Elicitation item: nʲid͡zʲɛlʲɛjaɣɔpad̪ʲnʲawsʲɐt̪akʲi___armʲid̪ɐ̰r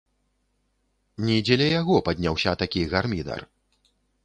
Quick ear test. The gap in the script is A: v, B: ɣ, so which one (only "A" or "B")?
B